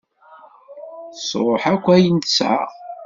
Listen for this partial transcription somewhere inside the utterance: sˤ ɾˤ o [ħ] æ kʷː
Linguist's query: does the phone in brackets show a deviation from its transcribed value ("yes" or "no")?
no